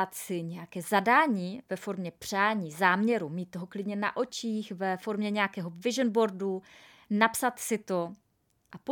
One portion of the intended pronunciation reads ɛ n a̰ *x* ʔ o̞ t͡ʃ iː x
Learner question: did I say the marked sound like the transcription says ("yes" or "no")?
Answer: no